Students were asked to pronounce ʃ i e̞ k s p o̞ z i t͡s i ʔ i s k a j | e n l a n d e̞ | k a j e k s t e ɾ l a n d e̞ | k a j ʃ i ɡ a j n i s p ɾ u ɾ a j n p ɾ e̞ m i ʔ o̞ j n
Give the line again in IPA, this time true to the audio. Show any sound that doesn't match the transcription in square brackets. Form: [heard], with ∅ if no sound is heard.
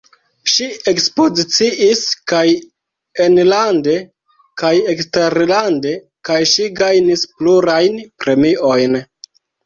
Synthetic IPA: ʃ i e̞ k s p o̞ z i t͡s i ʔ i s k a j | e n l a n d e̞ | k a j e k s t e ɾ l a n d e̞ | k a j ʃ i ɡ a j n i s p [l] u ɾ a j n p ɾ e̞ m i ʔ o̞ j n